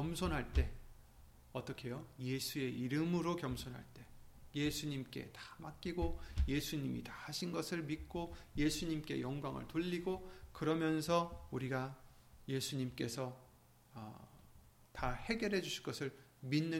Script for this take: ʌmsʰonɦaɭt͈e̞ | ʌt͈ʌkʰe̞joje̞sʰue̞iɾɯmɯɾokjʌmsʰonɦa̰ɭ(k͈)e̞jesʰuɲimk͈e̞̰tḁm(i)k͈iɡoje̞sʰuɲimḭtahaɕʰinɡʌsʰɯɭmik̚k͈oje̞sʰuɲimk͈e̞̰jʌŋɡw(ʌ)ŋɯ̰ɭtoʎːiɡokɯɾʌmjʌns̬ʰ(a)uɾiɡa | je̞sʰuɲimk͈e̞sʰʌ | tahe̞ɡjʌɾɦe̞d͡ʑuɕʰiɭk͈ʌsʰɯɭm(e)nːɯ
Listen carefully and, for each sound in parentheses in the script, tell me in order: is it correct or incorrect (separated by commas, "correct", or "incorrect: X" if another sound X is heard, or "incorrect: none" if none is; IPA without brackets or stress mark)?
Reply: incorrect: t͈, incorrect: a, incorrect: a, incorrect: ʌ, incorrect: i